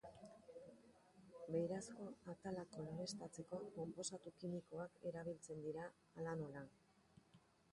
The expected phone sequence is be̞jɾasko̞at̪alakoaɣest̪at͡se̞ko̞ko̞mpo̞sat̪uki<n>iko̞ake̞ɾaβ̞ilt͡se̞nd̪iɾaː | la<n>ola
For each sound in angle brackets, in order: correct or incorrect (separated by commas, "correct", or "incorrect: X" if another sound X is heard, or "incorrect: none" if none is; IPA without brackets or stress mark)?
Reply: incorrect: m, correct